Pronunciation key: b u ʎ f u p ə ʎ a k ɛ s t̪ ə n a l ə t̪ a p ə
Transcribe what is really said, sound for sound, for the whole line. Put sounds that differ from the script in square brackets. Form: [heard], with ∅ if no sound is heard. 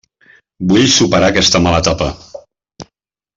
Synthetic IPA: b u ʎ [s] u p ə [ɾ] a k ɛ s t̪ ə [m] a l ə t̪ a p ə